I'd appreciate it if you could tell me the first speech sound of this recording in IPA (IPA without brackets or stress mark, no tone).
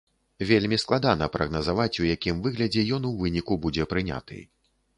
vʲ